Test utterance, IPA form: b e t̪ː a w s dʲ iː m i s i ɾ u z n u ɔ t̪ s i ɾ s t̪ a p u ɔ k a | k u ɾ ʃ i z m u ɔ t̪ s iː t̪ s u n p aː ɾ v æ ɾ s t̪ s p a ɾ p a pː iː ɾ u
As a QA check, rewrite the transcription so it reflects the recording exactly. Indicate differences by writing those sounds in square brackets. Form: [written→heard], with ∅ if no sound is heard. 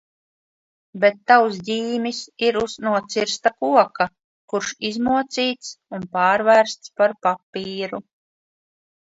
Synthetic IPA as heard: b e t̪ː a w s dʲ iː m i s i ɾ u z n u ɔ t̪ s i ɾ s t̪ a [p→k] u ɔ k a | k u ɾ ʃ i z m u ɔ t̪ s iː t̪ s u n p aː ɾ v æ ɾ s t̪ s p a ɾ p a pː iː ɾ u

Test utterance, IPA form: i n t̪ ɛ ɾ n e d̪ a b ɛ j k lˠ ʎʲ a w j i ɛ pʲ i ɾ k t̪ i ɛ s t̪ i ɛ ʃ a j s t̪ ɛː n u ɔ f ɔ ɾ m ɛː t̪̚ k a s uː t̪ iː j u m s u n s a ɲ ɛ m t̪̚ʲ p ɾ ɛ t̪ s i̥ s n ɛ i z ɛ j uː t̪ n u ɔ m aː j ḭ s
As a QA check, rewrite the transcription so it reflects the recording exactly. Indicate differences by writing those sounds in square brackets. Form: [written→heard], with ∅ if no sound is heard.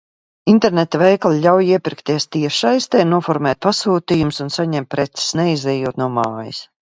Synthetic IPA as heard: i n t̪ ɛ ɾ n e [d̪→t̪] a [b→v] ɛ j k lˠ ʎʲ a w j i ɛ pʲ i ɾ k t̪ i ɛ s t̪ i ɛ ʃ a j s t̪ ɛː n u ɔ f ɔ ɾ m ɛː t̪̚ [k→p] a s uː t̪ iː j u m s u n s a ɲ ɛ m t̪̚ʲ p ɾ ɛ t̪ s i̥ s n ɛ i z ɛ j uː t̪ n u ɔ m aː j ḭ s

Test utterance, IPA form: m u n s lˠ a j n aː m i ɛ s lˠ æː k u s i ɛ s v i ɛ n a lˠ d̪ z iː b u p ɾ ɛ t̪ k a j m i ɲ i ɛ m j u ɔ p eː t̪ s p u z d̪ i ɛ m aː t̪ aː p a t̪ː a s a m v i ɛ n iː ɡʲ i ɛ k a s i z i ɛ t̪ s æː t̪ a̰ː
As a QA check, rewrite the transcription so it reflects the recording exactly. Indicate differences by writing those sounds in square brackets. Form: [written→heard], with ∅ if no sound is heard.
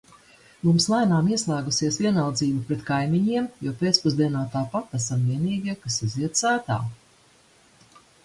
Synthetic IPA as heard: m u [n→m] s lˠ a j n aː m i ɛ s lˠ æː [k→ɡ] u s i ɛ s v i ɛ n a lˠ d̪ z iː b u p ɾ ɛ t̪ k a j m i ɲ i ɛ m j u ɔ p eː t̪ s p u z d̪ i ɛ [m→n] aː t̪ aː p a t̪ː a s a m v i ɛ n iː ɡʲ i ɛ k a s i z i ɛ t̪ s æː t̪ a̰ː

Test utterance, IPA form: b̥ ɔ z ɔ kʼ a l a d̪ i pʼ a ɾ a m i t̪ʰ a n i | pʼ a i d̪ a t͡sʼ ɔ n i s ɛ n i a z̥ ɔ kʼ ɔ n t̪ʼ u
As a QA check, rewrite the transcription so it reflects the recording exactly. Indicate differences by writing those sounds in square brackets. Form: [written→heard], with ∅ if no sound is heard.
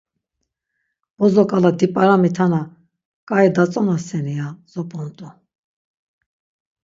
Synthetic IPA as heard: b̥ ɔ z ɔ kʼ a l a d̪ i pʼ a ɾ a m i t̪ʰ a n [i→a] | [pʼ→kʼ] a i d̪ a t͡sʼ ɔ n [i→a] s ɛ n i a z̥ ɔ [kʼ→pʼ] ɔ n t̪ʼ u

